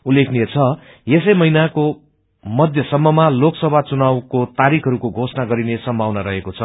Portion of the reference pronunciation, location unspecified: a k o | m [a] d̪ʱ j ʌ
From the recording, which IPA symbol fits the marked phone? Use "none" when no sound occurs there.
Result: ʌ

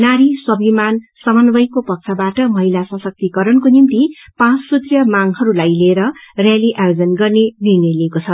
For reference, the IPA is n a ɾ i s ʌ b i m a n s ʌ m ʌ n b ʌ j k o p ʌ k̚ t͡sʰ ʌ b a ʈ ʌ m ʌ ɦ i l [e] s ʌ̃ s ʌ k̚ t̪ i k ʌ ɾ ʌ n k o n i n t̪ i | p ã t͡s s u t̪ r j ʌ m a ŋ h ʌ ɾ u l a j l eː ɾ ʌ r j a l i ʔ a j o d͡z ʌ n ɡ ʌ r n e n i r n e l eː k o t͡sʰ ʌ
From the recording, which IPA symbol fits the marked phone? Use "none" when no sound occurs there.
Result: a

